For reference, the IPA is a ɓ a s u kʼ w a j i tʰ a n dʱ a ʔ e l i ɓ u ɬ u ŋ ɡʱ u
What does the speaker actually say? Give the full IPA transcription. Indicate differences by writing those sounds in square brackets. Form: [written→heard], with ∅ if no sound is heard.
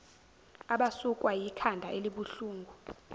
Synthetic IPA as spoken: a ɓ a s u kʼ w a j i [tʰ→kʰ] a n dʱ a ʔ e l i ɓ u ɬ [u→uː] ŋ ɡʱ u

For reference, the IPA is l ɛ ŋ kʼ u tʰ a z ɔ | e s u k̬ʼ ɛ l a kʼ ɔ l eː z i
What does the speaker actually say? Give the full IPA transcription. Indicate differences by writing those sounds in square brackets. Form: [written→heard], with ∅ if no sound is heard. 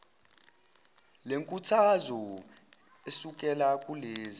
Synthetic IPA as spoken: l [ɛ→e] ŋ kʼ u tʰ a z ɔ | e s u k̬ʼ ɛ l a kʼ [ɔ→u] l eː z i

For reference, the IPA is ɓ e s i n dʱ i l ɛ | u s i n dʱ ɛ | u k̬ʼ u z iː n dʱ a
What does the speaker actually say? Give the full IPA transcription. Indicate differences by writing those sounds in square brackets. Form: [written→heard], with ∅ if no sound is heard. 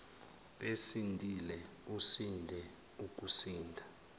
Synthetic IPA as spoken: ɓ e s i n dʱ i l ɛ | u s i n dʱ ɛ | u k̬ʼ u [z→s] iː n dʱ a

